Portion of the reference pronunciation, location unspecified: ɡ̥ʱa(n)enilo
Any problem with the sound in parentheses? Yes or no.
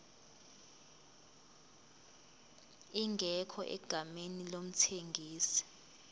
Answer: yes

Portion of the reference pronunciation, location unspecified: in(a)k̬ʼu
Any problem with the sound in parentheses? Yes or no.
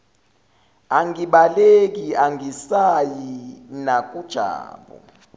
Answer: no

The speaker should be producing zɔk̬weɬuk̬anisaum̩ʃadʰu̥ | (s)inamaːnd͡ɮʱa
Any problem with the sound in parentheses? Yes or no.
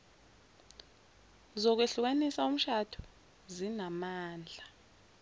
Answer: yes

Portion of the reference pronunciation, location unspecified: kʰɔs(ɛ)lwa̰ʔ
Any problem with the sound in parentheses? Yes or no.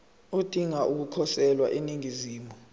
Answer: no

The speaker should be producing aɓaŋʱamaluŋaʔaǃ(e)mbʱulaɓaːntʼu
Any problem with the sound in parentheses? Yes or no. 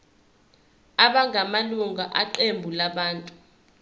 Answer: no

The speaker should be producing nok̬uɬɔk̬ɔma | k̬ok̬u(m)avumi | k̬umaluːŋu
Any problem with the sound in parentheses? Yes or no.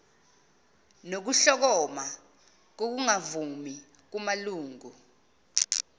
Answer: yes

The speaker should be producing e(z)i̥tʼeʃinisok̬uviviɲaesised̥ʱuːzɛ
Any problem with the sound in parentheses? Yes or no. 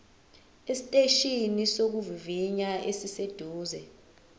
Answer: yes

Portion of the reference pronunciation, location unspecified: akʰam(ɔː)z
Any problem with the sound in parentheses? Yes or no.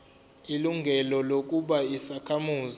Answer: yes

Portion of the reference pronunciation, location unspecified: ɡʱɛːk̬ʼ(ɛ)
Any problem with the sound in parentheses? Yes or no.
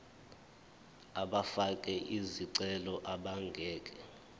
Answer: no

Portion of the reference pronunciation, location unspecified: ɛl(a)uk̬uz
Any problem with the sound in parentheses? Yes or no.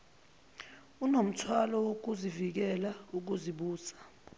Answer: no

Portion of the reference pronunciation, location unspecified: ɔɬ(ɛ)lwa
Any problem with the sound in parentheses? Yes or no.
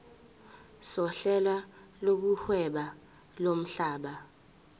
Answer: no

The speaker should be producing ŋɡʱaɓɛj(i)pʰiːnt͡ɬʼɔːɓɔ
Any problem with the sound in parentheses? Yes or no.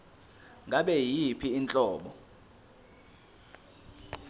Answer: no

